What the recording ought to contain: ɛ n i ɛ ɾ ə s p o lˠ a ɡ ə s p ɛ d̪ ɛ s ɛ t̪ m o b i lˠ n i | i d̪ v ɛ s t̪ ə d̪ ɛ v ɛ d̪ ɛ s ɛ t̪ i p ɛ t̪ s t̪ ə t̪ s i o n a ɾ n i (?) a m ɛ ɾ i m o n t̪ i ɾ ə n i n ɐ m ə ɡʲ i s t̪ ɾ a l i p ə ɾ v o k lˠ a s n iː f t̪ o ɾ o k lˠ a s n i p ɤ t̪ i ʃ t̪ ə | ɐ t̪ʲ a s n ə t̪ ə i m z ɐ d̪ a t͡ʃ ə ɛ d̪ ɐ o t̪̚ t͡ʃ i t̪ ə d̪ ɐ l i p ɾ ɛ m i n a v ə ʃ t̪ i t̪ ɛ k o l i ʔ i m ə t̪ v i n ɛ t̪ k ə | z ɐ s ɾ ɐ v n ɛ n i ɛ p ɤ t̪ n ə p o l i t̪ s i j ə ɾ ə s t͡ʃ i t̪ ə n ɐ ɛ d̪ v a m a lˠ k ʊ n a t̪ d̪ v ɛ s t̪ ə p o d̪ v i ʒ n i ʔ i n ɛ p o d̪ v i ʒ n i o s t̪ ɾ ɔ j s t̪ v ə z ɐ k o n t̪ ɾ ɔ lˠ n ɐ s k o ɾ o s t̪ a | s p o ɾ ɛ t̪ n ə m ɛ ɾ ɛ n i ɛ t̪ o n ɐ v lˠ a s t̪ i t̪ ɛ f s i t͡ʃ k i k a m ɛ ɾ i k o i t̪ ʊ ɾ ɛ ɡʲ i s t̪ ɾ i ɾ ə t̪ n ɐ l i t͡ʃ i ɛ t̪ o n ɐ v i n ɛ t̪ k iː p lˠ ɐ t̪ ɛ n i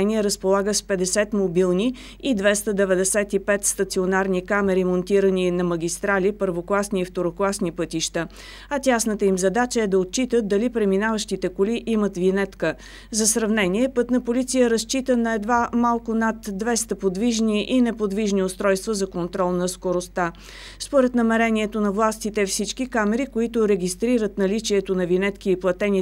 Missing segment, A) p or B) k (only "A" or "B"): B